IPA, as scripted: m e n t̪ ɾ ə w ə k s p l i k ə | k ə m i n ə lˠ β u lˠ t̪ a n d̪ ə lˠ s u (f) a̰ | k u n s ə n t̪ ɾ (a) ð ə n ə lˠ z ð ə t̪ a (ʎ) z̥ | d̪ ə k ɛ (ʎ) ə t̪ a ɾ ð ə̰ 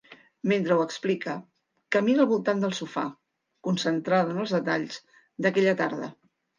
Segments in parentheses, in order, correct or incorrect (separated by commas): correct, correct, correct, correct